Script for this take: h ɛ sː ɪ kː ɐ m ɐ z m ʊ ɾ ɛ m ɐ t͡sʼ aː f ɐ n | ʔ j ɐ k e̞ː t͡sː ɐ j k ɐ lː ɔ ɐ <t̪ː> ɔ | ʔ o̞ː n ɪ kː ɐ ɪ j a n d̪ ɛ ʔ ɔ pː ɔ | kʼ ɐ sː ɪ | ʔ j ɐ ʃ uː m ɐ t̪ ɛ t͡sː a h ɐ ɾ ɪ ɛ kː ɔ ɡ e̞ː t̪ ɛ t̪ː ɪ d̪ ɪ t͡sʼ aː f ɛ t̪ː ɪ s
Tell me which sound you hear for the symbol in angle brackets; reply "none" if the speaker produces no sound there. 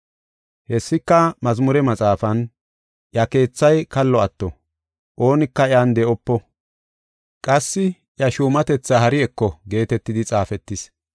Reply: t̪ː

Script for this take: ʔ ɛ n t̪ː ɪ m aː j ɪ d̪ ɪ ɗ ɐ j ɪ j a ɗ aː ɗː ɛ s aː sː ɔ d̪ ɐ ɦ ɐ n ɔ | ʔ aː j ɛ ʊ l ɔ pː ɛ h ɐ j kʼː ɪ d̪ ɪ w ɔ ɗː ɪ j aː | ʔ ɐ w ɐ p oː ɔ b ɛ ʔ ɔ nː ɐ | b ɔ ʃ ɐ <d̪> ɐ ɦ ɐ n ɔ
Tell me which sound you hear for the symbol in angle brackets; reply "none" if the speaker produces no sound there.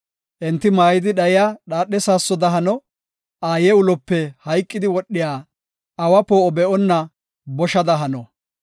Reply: d̪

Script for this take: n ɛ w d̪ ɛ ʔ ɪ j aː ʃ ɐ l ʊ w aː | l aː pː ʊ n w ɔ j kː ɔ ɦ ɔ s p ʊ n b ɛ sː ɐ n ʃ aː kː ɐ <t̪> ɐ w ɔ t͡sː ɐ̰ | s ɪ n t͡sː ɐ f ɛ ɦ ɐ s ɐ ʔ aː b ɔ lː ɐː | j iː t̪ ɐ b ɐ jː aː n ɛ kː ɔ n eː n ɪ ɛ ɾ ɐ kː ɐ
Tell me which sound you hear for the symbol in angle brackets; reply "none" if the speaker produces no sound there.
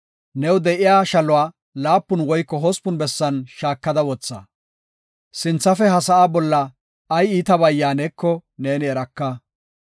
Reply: d̪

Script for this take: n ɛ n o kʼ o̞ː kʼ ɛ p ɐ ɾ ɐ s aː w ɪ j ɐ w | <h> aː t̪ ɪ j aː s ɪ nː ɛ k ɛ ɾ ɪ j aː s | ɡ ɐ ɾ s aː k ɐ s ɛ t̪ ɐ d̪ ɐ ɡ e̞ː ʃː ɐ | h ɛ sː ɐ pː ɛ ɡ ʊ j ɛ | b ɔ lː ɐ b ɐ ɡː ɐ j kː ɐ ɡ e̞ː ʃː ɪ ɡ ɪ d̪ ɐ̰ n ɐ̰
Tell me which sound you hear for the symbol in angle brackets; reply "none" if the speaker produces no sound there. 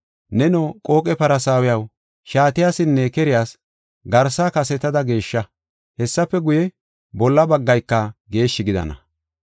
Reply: ʃ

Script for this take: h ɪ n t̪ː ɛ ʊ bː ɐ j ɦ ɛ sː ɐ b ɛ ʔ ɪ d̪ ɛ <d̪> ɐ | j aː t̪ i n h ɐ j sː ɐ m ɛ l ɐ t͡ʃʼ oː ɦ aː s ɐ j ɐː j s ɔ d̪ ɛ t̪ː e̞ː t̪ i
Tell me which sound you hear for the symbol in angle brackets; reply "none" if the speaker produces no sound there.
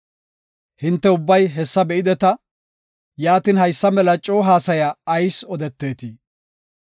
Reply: t̪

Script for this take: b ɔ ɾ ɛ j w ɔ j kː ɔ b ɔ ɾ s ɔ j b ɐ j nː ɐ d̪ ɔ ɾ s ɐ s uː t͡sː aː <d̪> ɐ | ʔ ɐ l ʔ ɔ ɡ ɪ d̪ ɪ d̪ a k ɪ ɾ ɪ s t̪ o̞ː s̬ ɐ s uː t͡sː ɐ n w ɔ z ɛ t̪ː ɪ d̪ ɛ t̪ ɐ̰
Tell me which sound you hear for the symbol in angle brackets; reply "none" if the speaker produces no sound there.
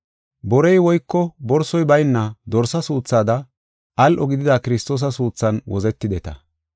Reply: d̪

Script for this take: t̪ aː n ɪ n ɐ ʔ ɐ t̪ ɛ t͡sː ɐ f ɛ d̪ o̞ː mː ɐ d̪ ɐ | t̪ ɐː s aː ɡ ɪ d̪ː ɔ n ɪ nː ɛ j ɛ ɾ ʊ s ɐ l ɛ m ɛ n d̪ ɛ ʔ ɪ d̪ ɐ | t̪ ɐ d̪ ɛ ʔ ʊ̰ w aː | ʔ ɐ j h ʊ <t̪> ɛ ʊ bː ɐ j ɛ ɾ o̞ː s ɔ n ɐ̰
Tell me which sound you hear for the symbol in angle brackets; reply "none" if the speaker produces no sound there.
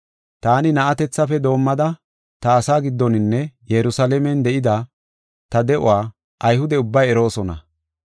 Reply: d̪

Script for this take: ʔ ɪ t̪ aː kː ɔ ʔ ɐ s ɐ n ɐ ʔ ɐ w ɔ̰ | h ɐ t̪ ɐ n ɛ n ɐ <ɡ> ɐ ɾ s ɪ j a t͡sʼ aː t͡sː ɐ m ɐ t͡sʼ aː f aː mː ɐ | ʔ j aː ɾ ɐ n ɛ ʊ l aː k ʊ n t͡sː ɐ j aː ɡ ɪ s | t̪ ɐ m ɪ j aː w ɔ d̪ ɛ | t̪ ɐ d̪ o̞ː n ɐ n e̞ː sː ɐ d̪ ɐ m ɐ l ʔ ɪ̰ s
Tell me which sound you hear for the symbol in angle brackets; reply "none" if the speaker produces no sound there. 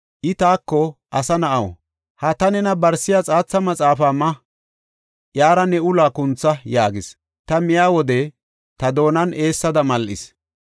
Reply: b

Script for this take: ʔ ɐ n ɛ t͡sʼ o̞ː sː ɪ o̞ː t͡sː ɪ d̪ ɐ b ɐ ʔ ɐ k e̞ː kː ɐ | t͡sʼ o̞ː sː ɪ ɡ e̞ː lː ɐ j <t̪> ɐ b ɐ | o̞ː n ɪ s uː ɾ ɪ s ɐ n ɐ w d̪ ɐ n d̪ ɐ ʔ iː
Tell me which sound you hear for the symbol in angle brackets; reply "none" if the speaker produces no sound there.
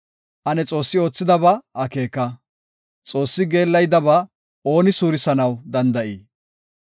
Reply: d̪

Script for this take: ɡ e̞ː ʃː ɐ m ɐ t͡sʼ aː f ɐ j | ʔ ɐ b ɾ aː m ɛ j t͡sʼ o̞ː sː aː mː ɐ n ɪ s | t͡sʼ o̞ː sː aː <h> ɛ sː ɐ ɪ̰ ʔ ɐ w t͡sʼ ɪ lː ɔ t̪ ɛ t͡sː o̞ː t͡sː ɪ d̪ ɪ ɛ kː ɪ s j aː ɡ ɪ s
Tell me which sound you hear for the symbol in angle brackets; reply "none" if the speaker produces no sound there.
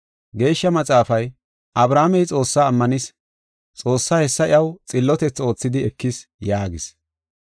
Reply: h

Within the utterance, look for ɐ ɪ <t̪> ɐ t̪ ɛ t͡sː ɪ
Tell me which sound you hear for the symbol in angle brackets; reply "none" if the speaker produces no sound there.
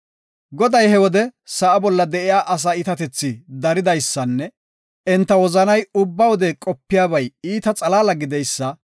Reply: t̪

